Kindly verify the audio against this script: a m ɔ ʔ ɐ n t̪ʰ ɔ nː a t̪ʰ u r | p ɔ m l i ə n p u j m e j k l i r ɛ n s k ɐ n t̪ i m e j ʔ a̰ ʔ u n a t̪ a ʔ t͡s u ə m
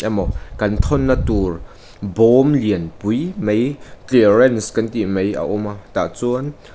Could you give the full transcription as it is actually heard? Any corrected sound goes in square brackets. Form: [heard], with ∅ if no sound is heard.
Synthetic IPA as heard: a m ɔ [k] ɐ n t̪ʰ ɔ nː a [t̪] u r | [b] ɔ m l i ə n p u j m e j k l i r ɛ n s k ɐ n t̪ i m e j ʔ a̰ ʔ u [m] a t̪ a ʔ t͡s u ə [n]

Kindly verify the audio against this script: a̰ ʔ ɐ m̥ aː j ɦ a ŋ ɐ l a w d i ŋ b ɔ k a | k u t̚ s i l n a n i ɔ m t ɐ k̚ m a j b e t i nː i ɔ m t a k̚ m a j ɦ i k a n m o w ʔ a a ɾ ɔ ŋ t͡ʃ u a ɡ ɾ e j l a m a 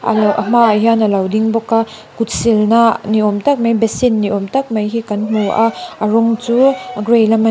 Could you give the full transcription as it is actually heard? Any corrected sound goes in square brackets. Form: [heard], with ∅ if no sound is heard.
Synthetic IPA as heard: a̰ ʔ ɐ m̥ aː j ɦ a [n] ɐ l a w d i ŋ b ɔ k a | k u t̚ s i l n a n i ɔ m t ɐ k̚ m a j b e [s] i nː i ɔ m t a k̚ m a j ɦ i k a n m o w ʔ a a ɾ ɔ ŋ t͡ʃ u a ɡ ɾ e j l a m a

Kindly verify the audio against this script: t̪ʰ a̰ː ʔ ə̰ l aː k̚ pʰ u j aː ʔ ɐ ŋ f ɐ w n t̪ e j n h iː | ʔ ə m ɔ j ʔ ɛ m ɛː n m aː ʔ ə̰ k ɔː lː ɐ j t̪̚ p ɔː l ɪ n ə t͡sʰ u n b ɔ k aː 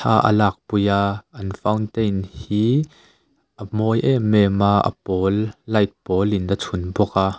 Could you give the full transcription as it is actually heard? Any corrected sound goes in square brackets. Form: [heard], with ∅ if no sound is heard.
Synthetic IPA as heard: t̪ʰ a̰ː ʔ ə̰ l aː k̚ [p] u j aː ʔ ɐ [n] f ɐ w n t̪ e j n h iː | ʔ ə m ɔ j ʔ ɛ m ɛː [∅] m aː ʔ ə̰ [p] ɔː lː ɐ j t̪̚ p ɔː l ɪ n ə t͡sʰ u n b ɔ k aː

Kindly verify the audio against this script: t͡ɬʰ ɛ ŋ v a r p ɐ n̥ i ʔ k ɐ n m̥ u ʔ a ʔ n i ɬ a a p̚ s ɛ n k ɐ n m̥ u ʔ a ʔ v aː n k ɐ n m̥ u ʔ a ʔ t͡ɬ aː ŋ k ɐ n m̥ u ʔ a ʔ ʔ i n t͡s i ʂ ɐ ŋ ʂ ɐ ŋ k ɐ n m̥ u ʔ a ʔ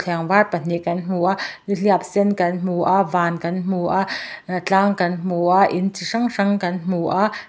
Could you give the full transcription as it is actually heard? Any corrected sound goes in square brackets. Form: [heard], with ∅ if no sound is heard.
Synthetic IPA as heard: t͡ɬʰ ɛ ŋ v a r p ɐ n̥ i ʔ k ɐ n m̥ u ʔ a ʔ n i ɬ [i] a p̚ s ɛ n k ɐ n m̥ u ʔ a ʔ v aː n k ɐ n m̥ u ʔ a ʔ t͡ɬ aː ŋ k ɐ n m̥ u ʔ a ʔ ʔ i n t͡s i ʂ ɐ ŋ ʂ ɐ ŋ k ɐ n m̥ u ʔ a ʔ

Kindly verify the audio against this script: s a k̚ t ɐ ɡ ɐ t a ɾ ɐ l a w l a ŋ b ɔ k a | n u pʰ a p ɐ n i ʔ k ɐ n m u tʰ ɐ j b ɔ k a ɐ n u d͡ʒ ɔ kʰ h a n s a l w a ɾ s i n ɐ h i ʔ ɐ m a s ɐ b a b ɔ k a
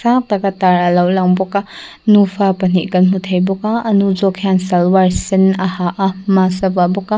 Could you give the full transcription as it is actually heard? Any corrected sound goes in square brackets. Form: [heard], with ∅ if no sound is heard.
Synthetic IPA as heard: s a k̚ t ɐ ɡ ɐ t a ɾ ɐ l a w l a ŋ b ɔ k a | n u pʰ a p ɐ n i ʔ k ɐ n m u tʰ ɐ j b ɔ k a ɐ n u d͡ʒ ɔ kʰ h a n s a l w a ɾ s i n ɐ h [a] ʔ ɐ m a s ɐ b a b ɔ k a

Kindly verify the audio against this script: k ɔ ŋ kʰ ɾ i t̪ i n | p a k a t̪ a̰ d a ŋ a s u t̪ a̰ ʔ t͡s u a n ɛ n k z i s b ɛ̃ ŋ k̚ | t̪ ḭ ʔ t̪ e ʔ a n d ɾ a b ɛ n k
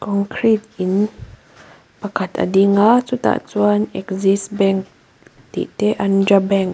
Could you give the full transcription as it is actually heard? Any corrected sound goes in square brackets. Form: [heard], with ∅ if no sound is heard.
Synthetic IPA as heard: k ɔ ŋ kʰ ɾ i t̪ i n | p a k a t̪ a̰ d [i] ŋ a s u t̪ a̰ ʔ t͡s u a n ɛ [∅] k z i s b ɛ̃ ŋ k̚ | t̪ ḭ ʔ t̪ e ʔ a n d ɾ a b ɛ [ŋ] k

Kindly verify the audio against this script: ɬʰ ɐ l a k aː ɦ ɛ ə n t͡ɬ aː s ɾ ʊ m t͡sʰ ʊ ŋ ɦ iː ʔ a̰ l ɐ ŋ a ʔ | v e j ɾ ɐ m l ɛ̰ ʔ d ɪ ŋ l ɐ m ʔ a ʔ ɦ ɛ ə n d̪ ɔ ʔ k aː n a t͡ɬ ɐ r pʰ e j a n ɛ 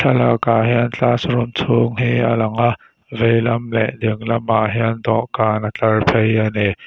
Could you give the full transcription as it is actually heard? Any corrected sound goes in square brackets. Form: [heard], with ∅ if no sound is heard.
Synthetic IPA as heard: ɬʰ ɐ l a k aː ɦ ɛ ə n t͡ɬ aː s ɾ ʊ m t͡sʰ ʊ ŋ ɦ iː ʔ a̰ l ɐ ŋ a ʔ | v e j [l] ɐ m l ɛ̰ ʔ d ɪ ŋ l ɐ m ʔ a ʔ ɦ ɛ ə n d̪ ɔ ʔ k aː n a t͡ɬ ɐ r pʰ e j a n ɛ

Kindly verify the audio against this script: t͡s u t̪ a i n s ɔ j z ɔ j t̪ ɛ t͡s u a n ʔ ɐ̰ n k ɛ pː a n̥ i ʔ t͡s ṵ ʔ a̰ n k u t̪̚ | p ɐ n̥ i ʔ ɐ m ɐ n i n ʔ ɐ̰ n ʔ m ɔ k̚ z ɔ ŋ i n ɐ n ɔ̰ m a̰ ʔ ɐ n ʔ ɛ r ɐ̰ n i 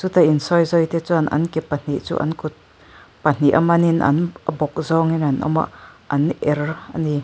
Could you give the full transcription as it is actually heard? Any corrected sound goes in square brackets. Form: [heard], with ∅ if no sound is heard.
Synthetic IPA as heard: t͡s u t̪ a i n s ɔ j z ɔ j t̪ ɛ t͡s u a n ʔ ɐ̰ n k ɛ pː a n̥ i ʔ t͡s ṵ ʔ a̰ n k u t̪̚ | p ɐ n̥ i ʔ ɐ m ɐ n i n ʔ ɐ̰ n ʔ [b] ɔ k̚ z ɔ ŋ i n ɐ n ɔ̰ m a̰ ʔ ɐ n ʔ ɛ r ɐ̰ n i

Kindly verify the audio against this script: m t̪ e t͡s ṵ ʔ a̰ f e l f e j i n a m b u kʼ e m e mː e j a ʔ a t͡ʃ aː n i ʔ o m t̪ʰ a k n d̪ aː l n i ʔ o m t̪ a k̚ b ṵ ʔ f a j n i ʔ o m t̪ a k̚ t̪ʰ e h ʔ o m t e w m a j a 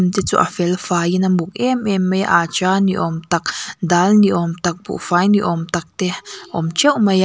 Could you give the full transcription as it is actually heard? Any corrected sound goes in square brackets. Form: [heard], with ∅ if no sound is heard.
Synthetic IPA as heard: m t̪ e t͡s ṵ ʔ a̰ f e l f [a] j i n a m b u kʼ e m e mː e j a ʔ a t͡ʃ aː n i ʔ o m [t̪] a k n d̪ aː l n i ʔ o m t̪ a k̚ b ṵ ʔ f a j n i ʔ o m t̪ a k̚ [t̪] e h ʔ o m [t͡ʃ] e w m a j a

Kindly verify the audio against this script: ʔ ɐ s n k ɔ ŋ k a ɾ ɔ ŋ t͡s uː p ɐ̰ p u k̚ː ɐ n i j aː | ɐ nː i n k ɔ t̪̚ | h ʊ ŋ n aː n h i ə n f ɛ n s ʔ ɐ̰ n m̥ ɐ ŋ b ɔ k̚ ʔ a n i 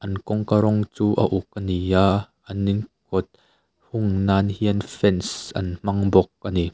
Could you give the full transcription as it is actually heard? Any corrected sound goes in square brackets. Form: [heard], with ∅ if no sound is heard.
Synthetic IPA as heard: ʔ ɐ [∅] n k ɔ ŋ k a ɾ ɔ ŋ t͡s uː [ʔ] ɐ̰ [ʔ] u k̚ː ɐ n i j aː | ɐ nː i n k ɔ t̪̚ | h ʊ ŋ n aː n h i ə n f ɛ n s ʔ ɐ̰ n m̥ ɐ ŋ b ɔ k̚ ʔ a n i

